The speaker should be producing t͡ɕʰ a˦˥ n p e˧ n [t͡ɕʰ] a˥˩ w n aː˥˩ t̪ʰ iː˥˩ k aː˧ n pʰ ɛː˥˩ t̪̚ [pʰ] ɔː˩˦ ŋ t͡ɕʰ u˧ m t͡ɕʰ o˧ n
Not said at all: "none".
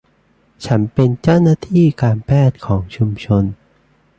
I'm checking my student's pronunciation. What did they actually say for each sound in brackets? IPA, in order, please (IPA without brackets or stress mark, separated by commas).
t͡ɕ, kʰ